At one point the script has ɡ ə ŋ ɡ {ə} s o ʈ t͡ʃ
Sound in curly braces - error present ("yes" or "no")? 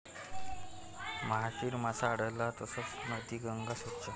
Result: yes